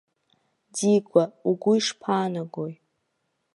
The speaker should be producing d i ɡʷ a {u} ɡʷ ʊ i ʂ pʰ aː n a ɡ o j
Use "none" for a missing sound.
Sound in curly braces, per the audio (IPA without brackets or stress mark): u